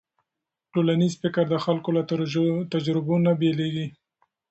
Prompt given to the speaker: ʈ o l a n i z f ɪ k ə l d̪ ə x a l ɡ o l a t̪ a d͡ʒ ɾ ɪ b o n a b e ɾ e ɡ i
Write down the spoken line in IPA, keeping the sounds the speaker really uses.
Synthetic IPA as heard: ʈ o l a n i z f ɪ k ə ɾ d̪ ə x a l k o l a t̪ a d͡ʒ ɾ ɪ b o n a b e l e ɡ i